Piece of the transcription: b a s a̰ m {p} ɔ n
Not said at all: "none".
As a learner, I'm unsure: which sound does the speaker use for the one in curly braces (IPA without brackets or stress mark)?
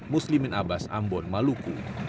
b